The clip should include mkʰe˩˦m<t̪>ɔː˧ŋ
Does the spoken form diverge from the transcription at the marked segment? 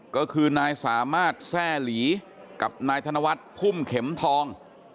yes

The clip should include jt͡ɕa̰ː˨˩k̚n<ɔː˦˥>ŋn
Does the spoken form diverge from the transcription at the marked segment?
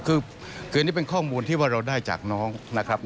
no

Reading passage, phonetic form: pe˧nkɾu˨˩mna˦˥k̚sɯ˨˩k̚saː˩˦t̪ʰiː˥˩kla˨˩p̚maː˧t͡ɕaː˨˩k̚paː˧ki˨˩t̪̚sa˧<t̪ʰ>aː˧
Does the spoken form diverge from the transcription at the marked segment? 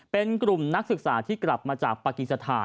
no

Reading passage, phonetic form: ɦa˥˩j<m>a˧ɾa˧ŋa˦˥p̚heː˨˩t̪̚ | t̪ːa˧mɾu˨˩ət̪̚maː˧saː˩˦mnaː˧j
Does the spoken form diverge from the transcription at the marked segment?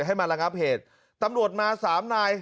no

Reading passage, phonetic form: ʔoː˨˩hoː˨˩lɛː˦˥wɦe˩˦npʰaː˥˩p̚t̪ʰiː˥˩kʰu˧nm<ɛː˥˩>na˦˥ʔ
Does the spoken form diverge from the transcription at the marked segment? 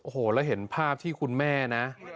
no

